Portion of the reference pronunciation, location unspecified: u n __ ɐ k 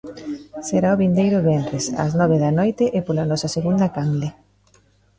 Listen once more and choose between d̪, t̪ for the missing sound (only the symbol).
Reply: d̪